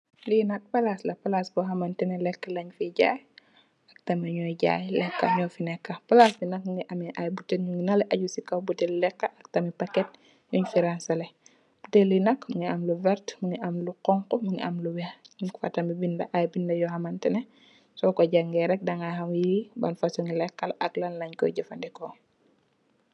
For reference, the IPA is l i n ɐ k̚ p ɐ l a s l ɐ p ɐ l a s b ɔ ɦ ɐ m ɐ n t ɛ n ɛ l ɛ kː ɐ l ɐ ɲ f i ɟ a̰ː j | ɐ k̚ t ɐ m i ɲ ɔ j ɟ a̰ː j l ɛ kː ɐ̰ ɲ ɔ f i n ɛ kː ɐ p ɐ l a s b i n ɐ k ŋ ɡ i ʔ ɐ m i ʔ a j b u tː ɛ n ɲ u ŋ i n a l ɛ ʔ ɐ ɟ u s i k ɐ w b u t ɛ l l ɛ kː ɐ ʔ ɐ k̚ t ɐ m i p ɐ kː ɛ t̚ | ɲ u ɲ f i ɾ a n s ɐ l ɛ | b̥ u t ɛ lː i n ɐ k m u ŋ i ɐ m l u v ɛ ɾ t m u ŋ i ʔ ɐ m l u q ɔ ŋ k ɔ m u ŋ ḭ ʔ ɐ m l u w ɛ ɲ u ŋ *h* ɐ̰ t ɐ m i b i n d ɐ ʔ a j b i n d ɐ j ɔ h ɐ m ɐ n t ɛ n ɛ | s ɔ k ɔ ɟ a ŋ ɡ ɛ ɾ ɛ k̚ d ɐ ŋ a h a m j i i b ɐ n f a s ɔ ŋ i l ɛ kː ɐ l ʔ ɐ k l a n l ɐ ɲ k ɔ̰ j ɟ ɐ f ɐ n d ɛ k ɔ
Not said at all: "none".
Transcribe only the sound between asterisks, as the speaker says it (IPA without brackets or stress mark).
f